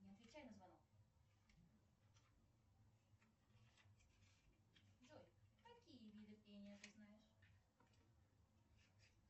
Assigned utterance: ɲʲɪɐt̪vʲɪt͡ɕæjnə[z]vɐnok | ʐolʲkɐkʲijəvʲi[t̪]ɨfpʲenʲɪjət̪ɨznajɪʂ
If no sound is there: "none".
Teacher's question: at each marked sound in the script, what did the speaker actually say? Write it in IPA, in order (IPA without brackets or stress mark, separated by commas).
z, d̪